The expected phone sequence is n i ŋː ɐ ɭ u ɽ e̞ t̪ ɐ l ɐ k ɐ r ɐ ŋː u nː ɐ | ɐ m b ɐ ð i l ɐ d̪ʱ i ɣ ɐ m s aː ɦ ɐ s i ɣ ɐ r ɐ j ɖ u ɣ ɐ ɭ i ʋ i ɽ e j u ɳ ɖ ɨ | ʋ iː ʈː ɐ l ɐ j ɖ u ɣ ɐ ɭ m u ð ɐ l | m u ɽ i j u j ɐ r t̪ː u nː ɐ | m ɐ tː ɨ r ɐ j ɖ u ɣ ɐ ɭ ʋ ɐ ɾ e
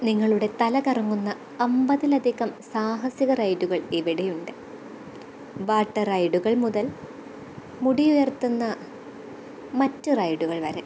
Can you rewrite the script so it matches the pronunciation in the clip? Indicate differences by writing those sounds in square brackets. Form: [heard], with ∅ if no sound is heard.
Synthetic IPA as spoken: n i ŋː ɐ ɭ u ɽ e̞ t̪ ɐ l ɐ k ɐ r ɐ ŋː u nː ɐ | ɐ m b ɐ ð i l ɐ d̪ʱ i ɣ ɐ m s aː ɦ ɐ s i ɣ ɐ r ɐ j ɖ u ɣ ɐ ɭ i ʋ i ɽ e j u ɳ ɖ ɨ | ʋ [aː] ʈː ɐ [r] ɐ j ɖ u ɣ ɐ ɭ m u ð ɐ l | m u ɽ i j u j ɐ r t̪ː u nː ɐ | m ɐ tː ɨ r ɐ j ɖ u ɣ ɐ ɭ ʋ ɐ ɾ e